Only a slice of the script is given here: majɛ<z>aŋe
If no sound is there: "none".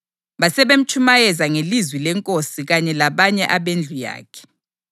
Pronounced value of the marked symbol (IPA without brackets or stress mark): z